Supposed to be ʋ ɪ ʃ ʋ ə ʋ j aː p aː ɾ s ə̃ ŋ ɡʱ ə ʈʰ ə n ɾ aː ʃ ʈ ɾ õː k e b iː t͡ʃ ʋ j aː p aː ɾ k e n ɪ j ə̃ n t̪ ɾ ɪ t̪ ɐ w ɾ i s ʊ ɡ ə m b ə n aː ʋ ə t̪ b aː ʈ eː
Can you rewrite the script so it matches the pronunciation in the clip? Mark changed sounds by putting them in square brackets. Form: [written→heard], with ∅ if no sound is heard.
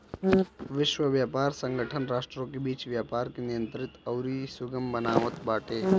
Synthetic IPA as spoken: ʋ ɪ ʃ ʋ ə ʋ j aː p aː ɾ s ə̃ ŋ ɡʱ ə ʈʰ ə n ɾ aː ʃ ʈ ɾ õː k e b iː t͡ʃ ʋ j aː p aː ɾ k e n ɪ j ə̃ n t̪ ɾ ɪ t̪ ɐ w ɾ i s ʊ ɡ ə m b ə n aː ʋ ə t̪ b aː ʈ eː